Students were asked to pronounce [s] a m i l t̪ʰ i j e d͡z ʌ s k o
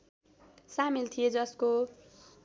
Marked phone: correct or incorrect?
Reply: correct